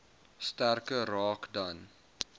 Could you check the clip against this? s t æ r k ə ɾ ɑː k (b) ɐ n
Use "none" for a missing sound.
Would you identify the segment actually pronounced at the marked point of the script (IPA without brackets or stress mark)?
d